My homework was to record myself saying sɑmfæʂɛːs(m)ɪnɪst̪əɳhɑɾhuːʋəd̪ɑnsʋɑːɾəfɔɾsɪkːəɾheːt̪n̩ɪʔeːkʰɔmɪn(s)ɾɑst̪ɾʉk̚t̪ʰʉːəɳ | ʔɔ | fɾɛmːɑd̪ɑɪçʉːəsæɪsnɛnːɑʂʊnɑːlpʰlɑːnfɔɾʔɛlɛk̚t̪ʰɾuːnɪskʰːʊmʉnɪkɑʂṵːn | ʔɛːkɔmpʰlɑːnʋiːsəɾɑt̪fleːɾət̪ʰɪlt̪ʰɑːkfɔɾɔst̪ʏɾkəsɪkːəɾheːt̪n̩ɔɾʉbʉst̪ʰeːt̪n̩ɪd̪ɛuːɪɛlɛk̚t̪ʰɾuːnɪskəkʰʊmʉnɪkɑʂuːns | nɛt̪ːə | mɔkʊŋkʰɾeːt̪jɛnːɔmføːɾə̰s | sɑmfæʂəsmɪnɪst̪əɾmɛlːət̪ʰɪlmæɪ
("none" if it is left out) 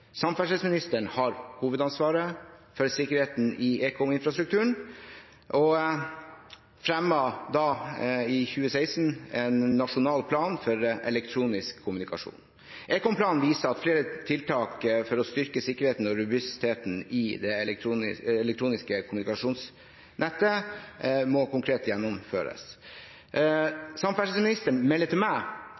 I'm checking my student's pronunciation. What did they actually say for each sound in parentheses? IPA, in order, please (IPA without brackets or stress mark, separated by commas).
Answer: m, f